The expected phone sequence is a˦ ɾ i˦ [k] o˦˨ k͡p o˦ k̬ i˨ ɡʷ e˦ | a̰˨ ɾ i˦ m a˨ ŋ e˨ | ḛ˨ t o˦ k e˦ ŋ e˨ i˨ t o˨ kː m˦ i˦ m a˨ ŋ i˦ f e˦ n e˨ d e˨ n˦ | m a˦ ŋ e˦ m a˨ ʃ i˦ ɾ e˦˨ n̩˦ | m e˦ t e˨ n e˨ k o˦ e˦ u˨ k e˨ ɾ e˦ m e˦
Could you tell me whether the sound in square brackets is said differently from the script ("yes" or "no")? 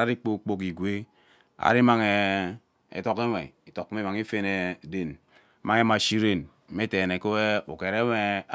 yes